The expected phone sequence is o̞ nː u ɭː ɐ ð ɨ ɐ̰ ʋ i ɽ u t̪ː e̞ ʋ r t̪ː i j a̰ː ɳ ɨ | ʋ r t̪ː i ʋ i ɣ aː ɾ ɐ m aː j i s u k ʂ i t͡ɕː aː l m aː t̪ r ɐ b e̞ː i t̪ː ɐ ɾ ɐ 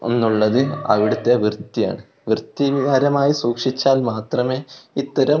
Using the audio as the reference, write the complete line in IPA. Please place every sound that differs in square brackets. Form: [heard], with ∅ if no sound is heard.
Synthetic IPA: o̞ nː u ɭː ɐ ð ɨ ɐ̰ ʋ i ɽ u t̪ː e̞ ʋ r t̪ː i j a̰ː ɳ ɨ | ʋ r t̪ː i ʋ i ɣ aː ɾ ɐ m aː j i s [uː] k ʂ i t͡ɕː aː l m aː t̪ r ɐ [m] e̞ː i t̪ː ɐ ɾ ɐ